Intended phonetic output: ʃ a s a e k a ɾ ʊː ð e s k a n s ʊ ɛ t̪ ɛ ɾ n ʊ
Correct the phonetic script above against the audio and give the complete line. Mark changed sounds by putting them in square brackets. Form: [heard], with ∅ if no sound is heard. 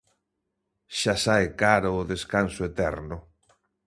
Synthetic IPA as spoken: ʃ a s a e k a ɾ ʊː ð e s k a n s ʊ [e] t̪ ɛ ɾ n ʊ